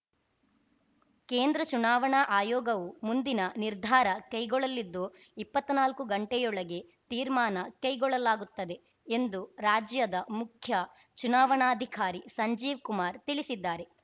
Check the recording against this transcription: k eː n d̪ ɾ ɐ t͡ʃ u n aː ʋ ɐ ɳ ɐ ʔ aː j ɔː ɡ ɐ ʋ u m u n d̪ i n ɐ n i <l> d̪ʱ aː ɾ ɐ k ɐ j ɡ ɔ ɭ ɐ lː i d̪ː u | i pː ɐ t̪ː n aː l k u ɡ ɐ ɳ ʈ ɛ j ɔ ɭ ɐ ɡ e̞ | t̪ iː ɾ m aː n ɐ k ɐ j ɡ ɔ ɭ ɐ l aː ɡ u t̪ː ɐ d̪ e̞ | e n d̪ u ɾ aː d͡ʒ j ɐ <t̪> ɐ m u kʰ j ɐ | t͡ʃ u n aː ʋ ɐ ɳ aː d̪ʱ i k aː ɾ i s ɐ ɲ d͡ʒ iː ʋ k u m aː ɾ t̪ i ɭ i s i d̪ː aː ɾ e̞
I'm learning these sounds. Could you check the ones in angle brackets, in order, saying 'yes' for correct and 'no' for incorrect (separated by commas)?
no, no